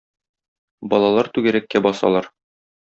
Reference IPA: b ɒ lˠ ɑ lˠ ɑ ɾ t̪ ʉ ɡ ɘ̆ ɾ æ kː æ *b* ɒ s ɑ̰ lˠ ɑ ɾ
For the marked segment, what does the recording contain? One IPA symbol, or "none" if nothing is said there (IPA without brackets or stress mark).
b